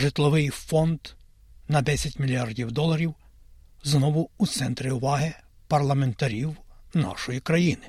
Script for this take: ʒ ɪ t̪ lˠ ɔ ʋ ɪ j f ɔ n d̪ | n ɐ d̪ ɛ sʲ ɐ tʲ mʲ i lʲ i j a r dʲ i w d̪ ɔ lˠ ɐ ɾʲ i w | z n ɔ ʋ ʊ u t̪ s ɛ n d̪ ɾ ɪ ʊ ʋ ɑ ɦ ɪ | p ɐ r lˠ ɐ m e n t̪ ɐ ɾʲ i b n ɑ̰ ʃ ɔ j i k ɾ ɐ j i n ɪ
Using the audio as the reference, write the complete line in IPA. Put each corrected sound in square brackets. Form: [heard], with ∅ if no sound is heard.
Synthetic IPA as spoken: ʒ ɪ t̪ lˠ ɔ ʋ ɪ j f ɔ n d̪ | n ɐ d̪ ɛ sʲ ɐ tʲ mʲ i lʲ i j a r dʲ i w d̪ ɔ lˠ ɐ ɾʲ i w | z n ɔ ʋ ʊ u t̪ s ɛ n [t̪] ɾ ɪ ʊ ʋ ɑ ɦ ɪ | p ɐ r lˠ ɐ m e n t̪ ɐ ɾʲ i [w] n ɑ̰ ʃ ɔ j i k ɾ ɐ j i n ɪ